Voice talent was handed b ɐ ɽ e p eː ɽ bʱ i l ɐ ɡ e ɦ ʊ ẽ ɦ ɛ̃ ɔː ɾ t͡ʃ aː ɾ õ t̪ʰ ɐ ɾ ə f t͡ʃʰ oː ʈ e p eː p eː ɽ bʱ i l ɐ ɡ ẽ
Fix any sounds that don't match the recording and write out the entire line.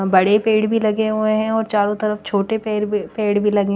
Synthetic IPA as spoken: b ɐ ɽ e p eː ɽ bʱ i l ɐ ɡ e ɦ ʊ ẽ ɦ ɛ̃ ɔː ɾ t͡ʃ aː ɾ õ t̪ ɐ ɾ ə f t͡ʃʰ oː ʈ e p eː p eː ɽ bʱ i l ɐ ɡ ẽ

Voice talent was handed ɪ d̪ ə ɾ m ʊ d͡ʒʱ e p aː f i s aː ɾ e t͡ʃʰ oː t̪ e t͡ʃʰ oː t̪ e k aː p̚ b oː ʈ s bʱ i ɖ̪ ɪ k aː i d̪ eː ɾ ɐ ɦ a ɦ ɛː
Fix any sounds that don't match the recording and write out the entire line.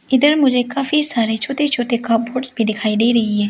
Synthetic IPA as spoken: ɪ d̪ ə ɾ m ʊ d͡ʒʱ e k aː f i s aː ɾ e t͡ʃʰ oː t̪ e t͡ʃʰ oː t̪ e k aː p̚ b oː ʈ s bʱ i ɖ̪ ɪ kʰ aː i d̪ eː ɾ ɐ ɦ i ɦ ɛː

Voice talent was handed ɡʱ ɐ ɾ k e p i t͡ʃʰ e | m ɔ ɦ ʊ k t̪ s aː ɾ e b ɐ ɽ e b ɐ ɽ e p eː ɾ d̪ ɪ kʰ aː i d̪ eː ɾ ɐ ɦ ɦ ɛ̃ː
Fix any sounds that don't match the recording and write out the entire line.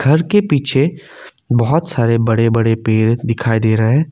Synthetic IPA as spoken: ɡʱ ɐ ɾ k e p iː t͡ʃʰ e | b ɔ ɦ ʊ t̪ s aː ɾ e b ɐ ɽ e b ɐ ɽ e p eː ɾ d̪ ɪ kʰ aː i d̪ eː ɾ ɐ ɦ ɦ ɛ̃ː

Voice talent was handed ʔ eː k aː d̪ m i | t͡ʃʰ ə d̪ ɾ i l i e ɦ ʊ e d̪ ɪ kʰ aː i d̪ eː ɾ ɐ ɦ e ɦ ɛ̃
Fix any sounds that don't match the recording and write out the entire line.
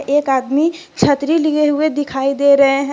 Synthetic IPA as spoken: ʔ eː k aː d̪ m i | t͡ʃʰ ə t̪ ɾ i l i e ɦ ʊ e d̪ ɪ kʰ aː i d̪ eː ɾ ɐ ɦ e ɦ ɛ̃

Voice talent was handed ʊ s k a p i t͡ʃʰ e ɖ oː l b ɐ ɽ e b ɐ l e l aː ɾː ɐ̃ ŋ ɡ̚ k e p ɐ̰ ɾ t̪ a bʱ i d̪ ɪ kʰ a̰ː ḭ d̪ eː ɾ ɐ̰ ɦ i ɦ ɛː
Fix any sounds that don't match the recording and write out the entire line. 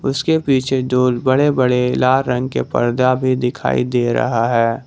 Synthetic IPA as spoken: ʊ s k e p iː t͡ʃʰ e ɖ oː l b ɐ ɽ e b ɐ ɽ e l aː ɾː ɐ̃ ŋ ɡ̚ k e p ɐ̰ ɾ d̪ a bʱ i d̪ ɪ kʰ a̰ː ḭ d̪ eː ɾ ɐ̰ ɦ a ɦ ɛː

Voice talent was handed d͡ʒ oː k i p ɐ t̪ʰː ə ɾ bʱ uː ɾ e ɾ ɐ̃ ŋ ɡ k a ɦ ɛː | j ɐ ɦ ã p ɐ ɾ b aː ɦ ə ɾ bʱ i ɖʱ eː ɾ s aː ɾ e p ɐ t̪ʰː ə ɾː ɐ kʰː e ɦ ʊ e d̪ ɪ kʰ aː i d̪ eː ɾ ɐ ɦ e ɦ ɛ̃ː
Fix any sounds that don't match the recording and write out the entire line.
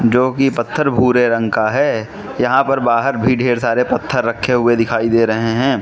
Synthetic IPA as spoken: d͡ʒ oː k i p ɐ t̪ʰː ə ɾ bʱ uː ɾ e ɾ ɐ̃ ŋ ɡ k a ɦ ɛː | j ɐ ɦ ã p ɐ ɾ b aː ɦ ə ɾ bʱ i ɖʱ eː ɾ s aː ɾ e p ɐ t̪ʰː ə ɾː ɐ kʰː e ɦ ʊ e d̪ ɪ kʰ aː i d̪ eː ɾ ɐ ɦ e ɦ ɛ̃ː

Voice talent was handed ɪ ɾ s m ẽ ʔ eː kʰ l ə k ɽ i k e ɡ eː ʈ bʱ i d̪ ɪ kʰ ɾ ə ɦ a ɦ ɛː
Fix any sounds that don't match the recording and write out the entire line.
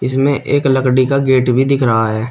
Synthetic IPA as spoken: ɪ s m ẽ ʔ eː k l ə k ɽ i k a ɡ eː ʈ bʱ i d̪ ɪ kʰ ɾ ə ɦ a ɦ ɛː

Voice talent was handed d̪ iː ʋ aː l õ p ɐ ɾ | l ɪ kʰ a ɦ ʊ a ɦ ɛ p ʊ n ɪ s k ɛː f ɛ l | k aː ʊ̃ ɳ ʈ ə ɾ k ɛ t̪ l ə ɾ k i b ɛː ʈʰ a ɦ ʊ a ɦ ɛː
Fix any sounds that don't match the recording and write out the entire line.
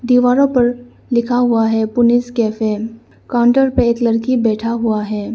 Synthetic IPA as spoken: d̪ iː ʋ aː ɾ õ p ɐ ɾ | l ɪ kʰ a ɦ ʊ a ɦ ɛ p ʊ n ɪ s k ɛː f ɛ | k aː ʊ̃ ɳ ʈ ə ɾ p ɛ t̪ l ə ɾ k i b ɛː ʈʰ a ɦ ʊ a ɦ ɛː

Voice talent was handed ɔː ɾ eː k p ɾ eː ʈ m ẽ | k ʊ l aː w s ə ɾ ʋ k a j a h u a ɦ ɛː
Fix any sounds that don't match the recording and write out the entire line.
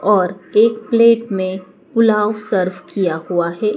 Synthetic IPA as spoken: ɔː ɾ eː k p l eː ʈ m ẽ | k ʊ l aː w s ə ɾ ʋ k i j a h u a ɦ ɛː

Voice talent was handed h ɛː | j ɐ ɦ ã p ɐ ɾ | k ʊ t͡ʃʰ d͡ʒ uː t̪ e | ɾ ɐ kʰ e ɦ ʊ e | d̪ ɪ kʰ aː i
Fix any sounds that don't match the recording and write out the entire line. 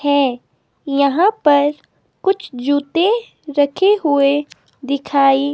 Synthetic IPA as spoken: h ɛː | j ɐ ɦ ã p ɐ ɾ | k ʊ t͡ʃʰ d͡ʒ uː t̪ e | ɾ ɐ kʰ e ɦ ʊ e | d̪ ɪ kʰ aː i

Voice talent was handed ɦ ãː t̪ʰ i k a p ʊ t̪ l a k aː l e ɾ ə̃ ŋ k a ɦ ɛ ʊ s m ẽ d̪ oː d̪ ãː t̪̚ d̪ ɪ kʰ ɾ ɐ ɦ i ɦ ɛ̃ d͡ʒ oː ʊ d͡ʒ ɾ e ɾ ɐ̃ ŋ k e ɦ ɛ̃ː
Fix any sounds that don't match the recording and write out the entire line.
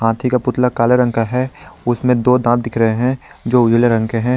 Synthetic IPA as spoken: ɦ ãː t̪ʰ i k a p ʊ t̪ l a k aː l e ɾ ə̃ ŋ k a ɦ ɛ ʊ s m ẽ d̪ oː d̪ ãː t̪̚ d̪ ɪ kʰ ɾ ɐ ɦ e ɦ ɛ̃ d͡ʒ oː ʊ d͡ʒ l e ɾ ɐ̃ ŋ k e ɦ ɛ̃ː

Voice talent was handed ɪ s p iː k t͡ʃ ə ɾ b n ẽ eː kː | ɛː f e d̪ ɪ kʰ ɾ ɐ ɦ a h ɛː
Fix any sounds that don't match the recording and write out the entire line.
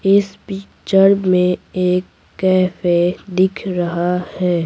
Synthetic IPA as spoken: ɪ s p iː k t͡ʃ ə ɾ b m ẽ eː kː | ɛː f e d̪ ɪ kʰ ɾ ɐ ɦ a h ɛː

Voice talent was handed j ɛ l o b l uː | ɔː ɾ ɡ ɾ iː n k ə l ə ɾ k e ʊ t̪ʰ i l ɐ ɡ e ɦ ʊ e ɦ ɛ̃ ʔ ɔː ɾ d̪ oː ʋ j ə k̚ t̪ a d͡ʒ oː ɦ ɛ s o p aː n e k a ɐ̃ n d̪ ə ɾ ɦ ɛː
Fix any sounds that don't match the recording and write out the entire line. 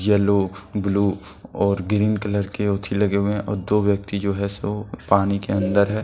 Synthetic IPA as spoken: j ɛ l o b l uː | ɔː ɾ ɡ ɾ iː n k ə l ə ɾ k e ʊ t̪ʰ i l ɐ ɡ e ɦ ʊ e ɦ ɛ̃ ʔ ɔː ɾ d̪ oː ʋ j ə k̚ t̪ i d͡ʒ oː ɦ ɛ s o p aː n i k e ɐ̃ n d̪ ə ɾ ɦ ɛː

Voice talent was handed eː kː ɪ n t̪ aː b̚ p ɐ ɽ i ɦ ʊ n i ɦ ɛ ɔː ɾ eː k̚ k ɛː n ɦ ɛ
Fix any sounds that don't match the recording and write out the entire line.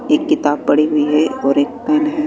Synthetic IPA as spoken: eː kː ɪ t̪ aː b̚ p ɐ ɽ i ɦ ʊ i ɦ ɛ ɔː ɾ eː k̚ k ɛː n ɦ ɛ

